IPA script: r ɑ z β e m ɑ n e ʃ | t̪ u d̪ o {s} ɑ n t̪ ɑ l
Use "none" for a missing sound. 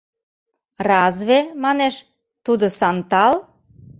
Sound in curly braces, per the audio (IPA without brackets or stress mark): s